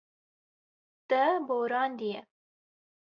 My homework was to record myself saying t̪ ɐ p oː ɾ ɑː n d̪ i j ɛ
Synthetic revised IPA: t̪ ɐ b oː ɾ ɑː n d̪ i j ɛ